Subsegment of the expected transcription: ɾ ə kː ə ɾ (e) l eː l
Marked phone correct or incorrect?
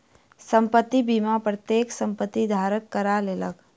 incorrect